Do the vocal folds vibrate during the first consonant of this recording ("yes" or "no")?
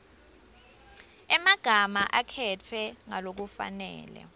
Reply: yes